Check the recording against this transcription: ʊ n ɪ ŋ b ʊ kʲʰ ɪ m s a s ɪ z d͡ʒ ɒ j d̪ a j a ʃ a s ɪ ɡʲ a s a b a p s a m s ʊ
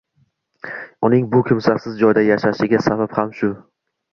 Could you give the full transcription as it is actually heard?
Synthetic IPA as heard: ʊ n ɪ ŋ b ʊ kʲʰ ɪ m s a s ɪ z d͡ʒ ɒ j d̪ a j a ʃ a ʃ ɪ ɡʲ a s a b a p h a m ʃ ʊ